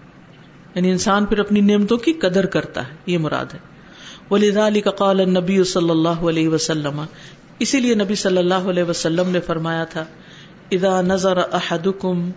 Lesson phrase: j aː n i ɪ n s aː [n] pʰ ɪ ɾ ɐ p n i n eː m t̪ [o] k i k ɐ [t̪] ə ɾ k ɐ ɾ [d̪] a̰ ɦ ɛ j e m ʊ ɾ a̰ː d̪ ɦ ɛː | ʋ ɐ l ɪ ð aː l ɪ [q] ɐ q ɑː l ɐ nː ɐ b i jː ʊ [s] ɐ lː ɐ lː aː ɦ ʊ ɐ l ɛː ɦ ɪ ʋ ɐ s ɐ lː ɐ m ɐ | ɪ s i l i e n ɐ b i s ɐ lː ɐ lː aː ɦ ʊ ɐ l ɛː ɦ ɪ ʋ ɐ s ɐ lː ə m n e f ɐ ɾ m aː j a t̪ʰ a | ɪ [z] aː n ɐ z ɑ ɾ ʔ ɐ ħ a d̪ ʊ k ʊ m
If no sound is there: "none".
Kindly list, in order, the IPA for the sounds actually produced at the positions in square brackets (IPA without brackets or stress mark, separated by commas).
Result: n, õ, d̪, t̪, k, s, ð